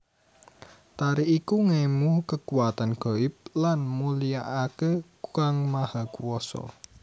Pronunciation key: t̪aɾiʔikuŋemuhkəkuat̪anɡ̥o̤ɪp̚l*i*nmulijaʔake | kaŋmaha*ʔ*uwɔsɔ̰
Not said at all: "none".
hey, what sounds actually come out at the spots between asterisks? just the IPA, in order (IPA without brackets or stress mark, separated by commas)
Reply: a, k